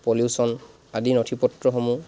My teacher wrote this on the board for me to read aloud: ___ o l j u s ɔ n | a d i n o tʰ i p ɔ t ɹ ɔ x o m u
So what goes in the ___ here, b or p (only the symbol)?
p